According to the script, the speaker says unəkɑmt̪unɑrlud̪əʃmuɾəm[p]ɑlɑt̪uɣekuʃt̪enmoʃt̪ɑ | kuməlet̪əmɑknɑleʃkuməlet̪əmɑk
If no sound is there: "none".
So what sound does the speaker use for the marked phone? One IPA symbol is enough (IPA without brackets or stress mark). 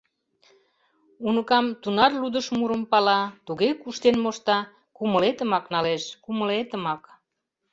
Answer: p